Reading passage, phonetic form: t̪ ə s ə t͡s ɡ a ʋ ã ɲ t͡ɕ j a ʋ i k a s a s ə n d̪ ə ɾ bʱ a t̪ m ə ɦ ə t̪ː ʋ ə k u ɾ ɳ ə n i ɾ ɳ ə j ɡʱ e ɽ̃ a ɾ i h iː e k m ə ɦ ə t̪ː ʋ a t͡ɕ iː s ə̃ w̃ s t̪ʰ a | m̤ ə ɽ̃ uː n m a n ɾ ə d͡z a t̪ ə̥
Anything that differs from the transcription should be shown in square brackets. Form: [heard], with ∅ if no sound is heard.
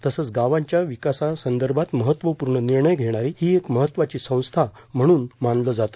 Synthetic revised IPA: t̪ ə s ə t͡s ɡ a ʋ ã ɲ t͡ɕ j a ʋ i k a s a s ə n d̪ ə ɾ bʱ a t̪ m ə ɦ ə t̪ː ʋ ə [p] u ɾ ɳ ə n i ɾ ɳ ə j ɡʱ e ɽ̃ a ɾ i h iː e k m ə ɦ ə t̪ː ʋ a t͡ɕ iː s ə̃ w̃ s t̪ʰ a | m̤ ə ɽ̃ uː n m a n [l] ə d͡z a t̪ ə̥